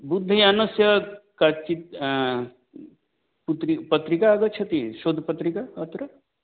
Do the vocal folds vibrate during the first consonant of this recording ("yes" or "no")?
yes